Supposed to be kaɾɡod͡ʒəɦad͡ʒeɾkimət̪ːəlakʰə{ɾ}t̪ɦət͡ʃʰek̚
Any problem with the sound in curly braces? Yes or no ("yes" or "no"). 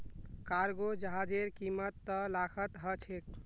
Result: yes